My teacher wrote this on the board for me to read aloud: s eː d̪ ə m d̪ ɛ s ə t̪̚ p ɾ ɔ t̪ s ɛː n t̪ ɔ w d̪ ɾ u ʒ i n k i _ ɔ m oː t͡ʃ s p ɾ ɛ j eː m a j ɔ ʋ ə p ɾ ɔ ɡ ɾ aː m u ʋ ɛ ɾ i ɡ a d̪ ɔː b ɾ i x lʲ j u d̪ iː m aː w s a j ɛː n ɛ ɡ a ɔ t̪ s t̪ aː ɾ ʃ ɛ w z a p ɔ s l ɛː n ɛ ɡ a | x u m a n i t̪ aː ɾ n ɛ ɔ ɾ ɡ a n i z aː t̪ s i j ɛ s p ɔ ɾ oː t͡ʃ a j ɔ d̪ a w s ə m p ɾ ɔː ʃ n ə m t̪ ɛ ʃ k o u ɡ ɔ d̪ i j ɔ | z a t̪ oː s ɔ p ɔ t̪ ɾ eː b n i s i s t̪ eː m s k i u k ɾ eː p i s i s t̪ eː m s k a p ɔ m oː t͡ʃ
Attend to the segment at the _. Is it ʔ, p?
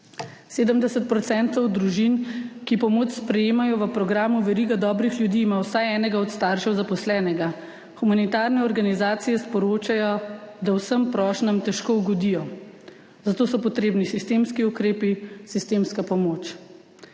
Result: p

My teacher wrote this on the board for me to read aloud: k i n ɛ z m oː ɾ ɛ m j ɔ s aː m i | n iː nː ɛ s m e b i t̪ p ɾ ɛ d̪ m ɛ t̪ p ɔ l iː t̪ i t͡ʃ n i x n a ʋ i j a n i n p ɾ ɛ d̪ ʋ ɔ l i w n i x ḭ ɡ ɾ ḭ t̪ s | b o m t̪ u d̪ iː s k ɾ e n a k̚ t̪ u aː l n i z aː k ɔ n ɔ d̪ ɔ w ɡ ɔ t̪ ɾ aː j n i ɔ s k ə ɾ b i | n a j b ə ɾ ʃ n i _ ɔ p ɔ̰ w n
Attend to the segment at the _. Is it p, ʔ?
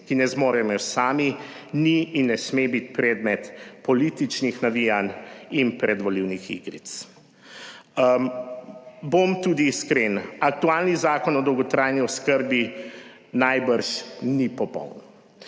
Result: p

